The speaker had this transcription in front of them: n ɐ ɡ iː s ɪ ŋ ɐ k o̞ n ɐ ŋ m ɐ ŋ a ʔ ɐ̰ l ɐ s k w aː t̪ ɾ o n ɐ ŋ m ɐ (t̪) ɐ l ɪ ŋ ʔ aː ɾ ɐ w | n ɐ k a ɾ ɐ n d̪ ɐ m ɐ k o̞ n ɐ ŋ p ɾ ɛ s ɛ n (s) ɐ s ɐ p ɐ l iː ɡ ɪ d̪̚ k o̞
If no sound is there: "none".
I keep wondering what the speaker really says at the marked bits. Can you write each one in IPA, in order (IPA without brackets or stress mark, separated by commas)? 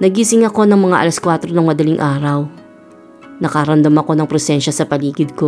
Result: d̪, ʃ